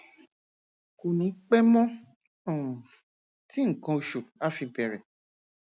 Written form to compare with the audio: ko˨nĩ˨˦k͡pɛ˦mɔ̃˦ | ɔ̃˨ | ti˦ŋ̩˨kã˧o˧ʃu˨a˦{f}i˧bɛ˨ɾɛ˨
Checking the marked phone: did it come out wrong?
no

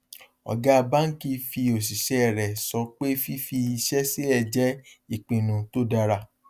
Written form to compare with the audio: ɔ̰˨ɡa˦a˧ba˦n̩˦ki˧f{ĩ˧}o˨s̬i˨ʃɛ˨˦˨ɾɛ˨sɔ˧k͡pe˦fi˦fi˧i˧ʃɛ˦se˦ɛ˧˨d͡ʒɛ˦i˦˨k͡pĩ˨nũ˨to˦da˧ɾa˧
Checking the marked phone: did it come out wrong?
yes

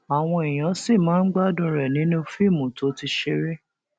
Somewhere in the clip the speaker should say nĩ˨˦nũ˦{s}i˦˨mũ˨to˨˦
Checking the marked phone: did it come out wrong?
yes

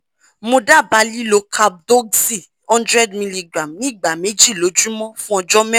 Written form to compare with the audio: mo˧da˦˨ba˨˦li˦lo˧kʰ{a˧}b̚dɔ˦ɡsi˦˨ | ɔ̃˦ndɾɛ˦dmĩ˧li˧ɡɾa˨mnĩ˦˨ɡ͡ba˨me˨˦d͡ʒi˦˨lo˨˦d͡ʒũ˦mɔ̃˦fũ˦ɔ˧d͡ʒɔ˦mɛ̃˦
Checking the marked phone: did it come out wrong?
no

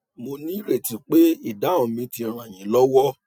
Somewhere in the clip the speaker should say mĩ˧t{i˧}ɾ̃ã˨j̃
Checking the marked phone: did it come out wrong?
no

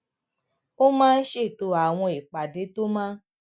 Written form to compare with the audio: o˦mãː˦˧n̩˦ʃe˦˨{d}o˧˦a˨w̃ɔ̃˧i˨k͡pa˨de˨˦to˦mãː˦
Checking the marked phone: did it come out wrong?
yes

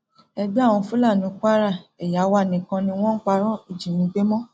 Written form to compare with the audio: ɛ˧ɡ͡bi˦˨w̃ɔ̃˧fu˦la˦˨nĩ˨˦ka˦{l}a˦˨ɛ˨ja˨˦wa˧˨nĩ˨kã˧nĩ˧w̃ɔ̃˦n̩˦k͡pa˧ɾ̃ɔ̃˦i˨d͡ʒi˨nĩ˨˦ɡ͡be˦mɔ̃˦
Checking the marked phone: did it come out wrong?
yes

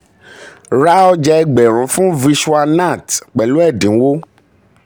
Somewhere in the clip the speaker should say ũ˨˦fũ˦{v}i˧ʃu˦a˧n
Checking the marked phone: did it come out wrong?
no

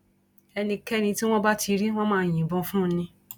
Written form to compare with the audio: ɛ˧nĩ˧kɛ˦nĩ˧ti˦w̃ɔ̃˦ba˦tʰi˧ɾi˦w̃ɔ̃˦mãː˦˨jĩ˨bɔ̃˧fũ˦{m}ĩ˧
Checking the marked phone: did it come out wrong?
yes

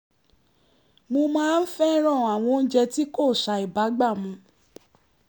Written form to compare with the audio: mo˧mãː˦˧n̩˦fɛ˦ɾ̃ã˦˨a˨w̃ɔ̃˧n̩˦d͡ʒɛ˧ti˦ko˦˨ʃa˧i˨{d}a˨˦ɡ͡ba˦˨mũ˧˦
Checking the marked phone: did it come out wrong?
yes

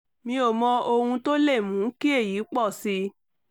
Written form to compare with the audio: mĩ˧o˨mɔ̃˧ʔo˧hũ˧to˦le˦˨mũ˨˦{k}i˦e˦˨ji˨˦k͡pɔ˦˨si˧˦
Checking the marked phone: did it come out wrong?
no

